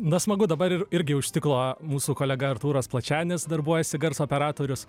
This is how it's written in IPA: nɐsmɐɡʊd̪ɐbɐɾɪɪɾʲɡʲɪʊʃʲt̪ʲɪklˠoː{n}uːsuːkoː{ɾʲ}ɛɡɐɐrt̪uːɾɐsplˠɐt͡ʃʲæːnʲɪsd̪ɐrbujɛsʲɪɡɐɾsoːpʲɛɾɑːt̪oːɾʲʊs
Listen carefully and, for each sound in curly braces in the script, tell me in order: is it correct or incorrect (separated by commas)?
incorrect, incorrect